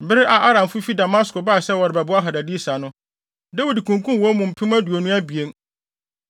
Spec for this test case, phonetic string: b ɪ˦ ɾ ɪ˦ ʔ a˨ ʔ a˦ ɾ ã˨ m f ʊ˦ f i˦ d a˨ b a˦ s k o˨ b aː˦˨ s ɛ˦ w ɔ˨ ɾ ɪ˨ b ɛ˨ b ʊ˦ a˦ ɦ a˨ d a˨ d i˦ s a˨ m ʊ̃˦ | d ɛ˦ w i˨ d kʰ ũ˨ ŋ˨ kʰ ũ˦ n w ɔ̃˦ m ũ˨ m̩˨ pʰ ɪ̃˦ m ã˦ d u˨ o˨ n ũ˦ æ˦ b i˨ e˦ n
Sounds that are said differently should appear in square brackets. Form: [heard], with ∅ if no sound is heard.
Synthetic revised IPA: b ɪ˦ ɾ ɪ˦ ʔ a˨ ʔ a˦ ɾ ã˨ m f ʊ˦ f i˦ d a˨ [m] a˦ s k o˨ b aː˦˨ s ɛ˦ w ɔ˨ ɾ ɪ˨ b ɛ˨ b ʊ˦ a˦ ɦ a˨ d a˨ d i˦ s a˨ [n] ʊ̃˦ | d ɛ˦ w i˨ d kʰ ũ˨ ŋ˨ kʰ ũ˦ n w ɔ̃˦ m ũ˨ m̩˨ pʰ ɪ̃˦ m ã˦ d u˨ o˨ n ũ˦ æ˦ b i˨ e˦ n